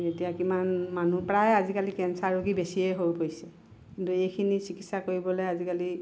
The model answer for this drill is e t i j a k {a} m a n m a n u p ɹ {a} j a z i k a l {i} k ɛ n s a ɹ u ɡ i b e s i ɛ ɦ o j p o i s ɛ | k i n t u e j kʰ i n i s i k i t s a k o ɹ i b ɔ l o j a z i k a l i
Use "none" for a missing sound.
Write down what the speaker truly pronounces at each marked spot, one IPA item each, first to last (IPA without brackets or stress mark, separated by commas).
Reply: i, a, i